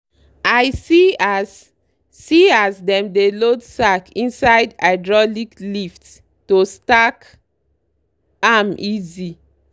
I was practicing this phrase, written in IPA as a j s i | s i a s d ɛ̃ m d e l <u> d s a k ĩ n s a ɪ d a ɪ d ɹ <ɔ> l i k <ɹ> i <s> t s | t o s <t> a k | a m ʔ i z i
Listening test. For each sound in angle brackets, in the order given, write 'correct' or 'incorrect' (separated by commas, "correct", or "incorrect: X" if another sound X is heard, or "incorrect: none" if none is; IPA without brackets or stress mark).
incorrect: o, correct, incorrect: l, incorrect: f, correct